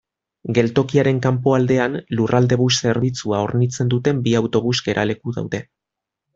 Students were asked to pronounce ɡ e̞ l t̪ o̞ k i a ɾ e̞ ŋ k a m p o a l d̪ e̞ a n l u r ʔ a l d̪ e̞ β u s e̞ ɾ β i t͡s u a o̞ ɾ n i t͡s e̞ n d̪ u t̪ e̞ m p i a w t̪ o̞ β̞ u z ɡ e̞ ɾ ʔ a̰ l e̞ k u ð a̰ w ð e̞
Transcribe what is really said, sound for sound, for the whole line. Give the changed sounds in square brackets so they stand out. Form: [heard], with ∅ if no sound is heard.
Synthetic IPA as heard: ɡ e̞ l t̪ o̞ k i a ɾ e̞ ŋ k a m p o a l d̪ e̞ a n l u r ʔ a l d̪ e̞ β u s e̞ ɾ β i t͡s u a o̞ ɾ n i t͡s e̞ n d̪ u t̪ e̞ m [b] i a w t̪ o̞ β̞ u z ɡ e̞ ɾ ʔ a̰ l e̞ k u ð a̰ w ð e̞